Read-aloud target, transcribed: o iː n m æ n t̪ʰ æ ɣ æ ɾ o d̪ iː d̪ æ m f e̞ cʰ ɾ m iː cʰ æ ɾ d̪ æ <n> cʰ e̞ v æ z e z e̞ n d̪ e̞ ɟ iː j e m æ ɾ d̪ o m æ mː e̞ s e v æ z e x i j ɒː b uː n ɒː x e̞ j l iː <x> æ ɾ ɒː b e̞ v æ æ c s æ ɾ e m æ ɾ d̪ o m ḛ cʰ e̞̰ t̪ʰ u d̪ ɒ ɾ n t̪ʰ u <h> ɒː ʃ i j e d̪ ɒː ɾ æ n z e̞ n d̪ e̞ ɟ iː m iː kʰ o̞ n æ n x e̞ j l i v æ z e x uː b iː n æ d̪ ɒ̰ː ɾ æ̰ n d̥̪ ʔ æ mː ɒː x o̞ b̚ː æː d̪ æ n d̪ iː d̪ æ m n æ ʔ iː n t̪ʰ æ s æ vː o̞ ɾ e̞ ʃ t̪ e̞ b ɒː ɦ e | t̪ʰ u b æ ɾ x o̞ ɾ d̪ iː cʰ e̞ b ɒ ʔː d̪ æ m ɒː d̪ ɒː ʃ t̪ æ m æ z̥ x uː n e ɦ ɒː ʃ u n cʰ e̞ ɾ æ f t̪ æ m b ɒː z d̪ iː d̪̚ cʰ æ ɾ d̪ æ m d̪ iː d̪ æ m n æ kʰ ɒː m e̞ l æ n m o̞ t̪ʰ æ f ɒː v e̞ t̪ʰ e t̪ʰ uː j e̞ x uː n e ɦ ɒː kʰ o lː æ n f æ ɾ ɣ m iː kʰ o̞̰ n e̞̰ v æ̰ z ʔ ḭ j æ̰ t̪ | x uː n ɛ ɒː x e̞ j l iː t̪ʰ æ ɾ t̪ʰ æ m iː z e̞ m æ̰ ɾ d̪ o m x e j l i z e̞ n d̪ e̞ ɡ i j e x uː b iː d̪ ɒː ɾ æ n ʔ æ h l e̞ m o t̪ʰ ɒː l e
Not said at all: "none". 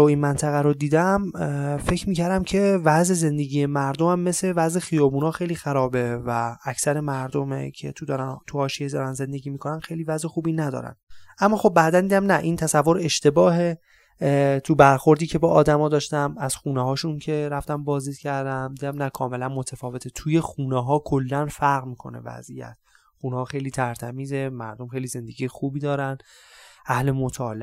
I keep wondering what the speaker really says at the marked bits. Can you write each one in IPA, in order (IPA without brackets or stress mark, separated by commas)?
m, x, h